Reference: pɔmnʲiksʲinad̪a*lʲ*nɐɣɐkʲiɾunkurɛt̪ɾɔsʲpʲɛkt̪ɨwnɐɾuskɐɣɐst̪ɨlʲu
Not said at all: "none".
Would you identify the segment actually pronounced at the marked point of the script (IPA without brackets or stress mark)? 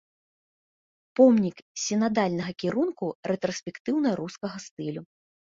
lʲ